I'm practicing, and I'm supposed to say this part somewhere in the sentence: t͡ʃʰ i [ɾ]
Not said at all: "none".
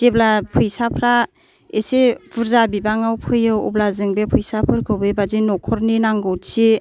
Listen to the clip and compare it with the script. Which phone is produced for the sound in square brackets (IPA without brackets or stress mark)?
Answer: none